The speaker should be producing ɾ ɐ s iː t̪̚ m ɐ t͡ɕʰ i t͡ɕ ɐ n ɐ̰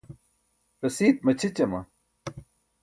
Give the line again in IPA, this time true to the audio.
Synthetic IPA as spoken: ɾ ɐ s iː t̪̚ m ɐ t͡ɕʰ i t͡ɕ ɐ m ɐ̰